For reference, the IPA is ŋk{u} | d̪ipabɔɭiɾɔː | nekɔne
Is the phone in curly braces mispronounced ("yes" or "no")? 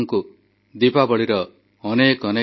no